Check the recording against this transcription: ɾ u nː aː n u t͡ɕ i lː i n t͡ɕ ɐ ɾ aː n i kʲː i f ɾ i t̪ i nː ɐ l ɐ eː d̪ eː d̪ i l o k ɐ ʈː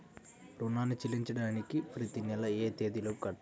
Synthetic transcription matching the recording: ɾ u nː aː n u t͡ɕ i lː i ɲ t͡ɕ ɐ ɽ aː n i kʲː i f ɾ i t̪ i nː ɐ l ɐ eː t̪ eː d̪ i l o k ɐ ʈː